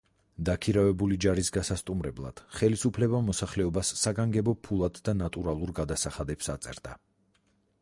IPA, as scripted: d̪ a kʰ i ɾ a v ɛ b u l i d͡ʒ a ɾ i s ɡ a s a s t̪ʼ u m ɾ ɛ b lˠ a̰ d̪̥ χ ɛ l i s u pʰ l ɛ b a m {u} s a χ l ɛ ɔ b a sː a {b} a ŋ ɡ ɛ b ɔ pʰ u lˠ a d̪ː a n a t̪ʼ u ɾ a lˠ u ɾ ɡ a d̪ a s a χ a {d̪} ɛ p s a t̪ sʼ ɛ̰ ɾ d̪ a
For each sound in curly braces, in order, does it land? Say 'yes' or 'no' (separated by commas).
no, no, yes